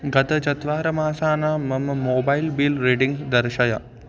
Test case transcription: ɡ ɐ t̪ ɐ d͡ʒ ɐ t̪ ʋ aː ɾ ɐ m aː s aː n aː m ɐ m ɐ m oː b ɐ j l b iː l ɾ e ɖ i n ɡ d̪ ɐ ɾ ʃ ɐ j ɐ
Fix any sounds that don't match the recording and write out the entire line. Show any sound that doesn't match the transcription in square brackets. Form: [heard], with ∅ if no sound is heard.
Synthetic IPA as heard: ɡ ɐ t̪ ɐ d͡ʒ ɐ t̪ ʋ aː ɾ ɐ m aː s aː n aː m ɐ m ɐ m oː b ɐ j l b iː l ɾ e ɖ i [ŋ] ɡ d̪ ɐ ɾ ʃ ɐ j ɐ